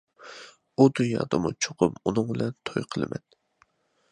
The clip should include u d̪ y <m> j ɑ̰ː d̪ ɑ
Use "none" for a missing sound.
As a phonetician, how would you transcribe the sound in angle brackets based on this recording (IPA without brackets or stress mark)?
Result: n